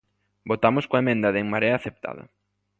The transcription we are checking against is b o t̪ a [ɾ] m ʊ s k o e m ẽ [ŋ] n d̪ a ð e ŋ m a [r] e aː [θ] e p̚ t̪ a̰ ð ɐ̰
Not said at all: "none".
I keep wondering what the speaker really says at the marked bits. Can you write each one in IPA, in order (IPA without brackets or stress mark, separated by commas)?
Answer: none, none, ɾ, θ